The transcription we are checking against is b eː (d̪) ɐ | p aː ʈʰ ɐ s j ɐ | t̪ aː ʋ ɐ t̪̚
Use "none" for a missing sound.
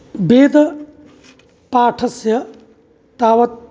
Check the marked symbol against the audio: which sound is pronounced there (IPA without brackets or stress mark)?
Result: d̪